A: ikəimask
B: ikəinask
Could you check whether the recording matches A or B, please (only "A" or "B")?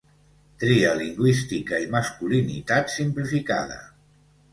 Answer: A